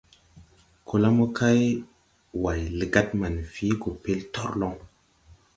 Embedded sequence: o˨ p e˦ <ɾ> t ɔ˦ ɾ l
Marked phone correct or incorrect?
incorrect